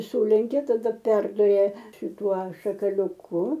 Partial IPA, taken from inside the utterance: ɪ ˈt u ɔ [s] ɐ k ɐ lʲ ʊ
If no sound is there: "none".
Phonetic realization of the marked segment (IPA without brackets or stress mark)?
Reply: ʃ